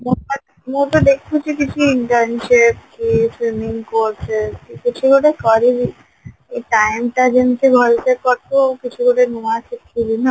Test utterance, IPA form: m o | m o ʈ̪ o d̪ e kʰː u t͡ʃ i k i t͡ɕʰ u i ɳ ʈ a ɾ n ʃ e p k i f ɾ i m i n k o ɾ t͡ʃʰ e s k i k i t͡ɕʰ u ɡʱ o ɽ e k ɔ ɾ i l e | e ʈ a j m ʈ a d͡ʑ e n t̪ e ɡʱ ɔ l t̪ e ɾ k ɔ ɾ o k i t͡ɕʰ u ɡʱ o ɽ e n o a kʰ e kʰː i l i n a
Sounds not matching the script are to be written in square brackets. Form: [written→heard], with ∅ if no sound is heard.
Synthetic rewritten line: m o | m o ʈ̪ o d̪ e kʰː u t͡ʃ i k i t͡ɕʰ u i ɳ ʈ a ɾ n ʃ e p k i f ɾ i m i [n→ŋ] k o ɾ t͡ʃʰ e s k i k i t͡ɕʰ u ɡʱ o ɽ e k ɔ ɾ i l [e→i] | e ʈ a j m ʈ a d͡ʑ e n t̪ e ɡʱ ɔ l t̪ e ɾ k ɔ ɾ o k i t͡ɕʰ u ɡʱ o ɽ e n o a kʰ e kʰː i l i n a